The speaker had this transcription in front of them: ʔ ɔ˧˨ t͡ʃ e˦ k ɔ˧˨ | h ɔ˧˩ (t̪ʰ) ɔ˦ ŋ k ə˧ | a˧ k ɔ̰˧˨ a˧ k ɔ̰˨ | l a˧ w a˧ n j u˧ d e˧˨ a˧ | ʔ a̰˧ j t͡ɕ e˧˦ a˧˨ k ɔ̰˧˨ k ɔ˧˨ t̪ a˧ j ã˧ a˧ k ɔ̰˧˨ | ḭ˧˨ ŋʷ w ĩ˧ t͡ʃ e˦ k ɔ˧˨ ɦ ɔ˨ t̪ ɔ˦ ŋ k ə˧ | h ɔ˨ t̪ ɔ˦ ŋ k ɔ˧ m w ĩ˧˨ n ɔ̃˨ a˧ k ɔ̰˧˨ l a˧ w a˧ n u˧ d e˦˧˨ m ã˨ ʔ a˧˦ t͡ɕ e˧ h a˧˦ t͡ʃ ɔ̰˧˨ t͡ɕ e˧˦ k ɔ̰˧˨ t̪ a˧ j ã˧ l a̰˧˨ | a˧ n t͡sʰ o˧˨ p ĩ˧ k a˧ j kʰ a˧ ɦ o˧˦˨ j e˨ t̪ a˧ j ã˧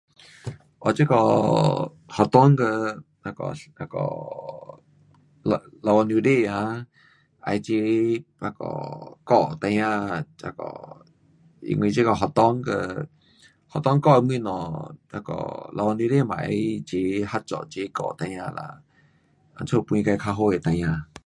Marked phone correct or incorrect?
incorrect: t̪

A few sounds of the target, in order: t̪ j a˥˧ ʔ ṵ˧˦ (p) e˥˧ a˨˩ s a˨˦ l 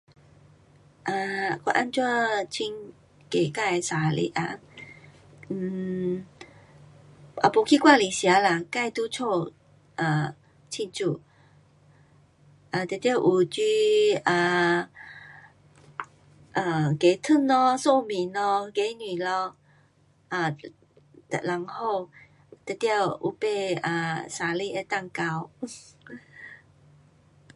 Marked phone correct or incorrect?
correct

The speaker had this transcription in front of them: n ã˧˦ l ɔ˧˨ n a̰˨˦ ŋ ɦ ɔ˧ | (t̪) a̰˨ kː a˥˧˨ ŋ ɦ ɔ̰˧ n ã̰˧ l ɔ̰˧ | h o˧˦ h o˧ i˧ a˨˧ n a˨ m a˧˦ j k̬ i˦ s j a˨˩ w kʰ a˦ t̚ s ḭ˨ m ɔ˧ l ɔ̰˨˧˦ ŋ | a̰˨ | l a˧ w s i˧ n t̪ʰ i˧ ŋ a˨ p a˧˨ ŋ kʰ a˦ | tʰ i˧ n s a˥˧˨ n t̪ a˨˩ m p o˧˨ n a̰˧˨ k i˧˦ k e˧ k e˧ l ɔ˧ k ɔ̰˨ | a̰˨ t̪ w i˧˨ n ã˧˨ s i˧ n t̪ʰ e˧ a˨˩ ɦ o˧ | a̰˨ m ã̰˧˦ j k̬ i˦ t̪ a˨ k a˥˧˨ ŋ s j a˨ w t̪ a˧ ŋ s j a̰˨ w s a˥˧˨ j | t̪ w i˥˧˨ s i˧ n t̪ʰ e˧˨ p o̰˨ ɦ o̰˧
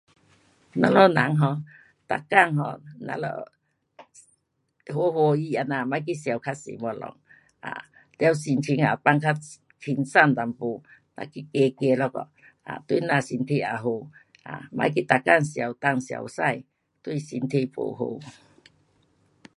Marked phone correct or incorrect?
correct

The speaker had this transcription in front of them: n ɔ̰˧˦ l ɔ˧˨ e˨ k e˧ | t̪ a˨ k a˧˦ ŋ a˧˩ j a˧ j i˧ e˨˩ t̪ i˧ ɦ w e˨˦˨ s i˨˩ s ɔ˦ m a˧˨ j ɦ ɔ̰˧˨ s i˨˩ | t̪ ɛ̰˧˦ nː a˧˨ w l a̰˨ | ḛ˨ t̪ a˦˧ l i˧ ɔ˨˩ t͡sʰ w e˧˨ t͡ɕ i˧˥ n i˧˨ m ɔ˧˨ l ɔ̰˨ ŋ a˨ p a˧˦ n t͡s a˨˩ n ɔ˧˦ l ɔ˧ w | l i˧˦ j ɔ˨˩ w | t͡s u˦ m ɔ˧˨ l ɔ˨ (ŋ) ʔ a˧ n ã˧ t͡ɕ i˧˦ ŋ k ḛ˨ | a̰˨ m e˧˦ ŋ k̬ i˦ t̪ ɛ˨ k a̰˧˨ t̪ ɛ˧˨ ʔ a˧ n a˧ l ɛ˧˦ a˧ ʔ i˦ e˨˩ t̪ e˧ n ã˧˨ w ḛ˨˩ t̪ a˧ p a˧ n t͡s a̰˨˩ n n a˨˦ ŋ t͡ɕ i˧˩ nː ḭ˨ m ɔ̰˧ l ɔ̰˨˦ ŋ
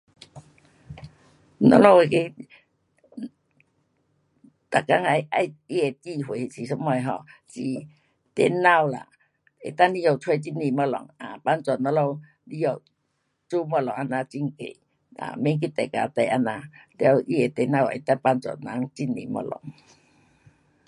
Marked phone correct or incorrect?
correct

